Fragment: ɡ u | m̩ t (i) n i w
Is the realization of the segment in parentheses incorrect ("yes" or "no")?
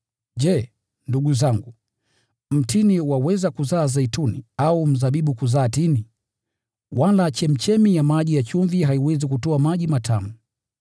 no